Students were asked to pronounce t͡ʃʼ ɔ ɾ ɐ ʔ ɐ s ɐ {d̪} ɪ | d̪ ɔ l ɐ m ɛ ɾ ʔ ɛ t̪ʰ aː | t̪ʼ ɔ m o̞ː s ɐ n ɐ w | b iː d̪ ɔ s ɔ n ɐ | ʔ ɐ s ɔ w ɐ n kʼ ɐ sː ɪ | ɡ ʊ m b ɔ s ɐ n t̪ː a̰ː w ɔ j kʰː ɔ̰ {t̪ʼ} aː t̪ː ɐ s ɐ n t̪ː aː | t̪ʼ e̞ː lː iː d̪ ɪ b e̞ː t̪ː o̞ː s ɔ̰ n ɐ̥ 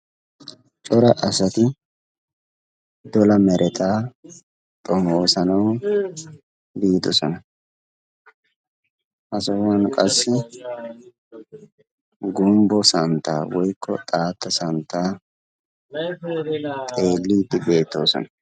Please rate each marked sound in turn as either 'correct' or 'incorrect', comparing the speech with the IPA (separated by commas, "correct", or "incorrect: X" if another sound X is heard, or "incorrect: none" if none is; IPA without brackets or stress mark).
incorrect: t̪, correct